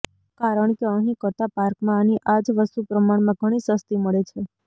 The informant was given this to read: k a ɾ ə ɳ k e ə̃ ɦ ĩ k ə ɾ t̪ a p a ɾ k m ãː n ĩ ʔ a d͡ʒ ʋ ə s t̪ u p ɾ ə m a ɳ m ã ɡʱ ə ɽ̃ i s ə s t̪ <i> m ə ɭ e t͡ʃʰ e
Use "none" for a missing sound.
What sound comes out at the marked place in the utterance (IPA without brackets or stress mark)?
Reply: i